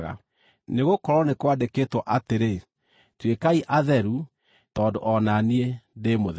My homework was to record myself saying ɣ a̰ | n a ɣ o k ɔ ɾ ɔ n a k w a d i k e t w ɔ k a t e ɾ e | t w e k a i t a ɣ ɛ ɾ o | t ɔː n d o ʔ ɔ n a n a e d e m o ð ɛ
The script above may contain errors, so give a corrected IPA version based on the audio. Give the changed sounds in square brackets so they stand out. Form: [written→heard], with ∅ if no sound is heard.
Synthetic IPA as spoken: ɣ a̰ | n [a→e] ɣ o k ɔ ɾ ɔ n [a→e] k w a d [i→e] k e t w ɔ [k→ʔ] a t e ɾ e | t w e k a i [t→ʔ] a [ɣ→ð] ɛ ɾ [o→u] | t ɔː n d o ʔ ɔ n a n [a→i] e d e m o ð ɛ